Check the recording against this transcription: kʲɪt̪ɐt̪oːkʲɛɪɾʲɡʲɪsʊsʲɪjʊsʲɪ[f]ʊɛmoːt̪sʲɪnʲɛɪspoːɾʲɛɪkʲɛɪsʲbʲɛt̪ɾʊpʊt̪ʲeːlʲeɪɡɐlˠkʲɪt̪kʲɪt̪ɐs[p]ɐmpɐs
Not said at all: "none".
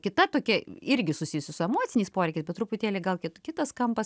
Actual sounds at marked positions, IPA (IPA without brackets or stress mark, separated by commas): s, k